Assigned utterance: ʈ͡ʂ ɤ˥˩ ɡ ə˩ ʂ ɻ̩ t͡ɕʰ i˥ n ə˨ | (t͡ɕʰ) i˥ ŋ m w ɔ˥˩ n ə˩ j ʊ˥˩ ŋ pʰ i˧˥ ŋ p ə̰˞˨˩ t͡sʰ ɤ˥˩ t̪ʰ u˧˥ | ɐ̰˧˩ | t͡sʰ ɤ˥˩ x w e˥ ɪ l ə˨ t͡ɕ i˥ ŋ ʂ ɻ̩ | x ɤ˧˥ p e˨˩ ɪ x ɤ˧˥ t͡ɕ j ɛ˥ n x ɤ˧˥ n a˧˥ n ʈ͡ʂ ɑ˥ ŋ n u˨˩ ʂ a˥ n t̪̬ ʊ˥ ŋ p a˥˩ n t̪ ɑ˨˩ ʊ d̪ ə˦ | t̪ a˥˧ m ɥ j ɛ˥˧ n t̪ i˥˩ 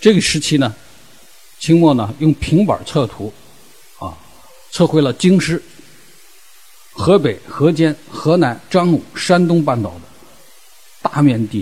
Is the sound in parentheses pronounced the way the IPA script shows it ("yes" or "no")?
yes